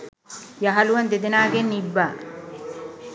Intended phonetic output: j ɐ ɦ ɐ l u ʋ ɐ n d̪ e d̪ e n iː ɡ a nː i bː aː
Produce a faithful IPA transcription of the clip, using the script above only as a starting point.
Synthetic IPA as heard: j ɐ ɦ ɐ l u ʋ ɐ n d̪ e d̪ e n aː ɡ e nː i bː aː